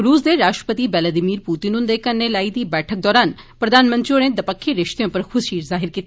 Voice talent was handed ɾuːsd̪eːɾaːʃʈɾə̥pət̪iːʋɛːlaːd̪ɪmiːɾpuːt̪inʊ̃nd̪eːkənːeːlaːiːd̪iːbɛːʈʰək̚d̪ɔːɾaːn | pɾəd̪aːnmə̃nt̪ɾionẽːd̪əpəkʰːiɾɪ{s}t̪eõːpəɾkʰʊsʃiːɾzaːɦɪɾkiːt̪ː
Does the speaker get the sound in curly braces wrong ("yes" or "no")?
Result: yes